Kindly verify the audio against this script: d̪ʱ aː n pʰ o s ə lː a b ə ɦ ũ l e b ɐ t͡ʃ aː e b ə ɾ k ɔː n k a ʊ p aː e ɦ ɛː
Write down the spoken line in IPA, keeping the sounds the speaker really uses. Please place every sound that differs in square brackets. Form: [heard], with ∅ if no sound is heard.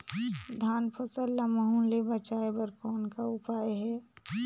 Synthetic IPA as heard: d̪ʱ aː n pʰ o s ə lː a [m] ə ɦ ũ l e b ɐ t͡ʃ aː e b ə ɾ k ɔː n k a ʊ p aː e ɦ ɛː